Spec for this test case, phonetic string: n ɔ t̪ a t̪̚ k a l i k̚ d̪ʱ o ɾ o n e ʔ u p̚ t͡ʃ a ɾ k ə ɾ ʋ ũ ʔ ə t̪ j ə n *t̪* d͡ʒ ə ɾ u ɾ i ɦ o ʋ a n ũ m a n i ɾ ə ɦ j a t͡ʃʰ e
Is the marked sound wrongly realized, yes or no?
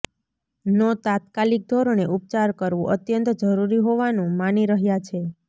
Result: no